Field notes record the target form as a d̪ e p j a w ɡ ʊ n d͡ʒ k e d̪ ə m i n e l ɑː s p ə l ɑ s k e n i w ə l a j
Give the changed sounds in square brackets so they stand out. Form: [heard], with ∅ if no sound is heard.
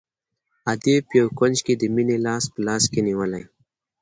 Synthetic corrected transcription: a d̪ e p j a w [k] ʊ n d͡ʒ k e d̪ ə m i n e l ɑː s p ə l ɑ s k e n i w ə l a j